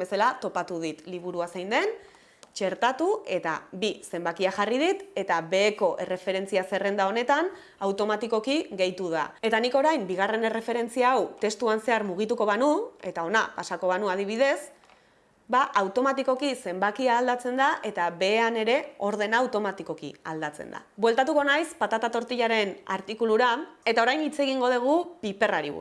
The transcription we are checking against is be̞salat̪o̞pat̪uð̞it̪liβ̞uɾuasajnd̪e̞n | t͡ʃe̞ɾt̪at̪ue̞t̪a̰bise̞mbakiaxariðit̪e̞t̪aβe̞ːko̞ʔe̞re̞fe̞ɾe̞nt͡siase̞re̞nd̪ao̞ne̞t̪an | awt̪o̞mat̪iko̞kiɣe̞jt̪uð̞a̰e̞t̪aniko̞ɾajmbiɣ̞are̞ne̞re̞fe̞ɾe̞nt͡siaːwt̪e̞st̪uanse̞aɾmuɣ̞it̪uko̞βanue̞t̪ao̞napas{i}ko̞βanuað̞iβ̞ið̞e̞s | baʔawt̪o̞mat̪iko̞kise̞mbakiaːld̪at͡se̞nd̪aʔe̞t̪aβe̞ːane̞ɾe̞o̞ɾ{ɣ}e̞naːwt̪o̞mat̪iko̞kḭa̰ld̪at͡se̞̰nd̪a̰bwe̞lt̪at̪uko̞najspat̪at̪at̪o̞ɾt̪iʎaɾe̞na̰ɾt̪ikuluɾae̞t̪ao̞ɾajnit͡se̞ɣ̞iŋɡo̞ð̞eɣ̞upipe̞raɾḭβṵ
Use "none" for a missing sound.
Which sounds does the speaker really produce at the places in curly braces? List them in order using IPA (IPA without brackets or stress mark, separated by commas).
a, ð